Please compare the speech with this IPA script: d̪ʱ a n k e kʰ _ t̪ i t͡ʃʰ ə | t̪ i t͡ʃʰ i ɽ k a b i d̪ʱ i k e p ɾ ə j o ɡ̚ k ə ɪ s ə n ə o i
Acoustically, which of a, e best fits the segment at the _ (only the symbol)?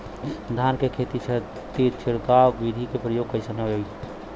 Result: e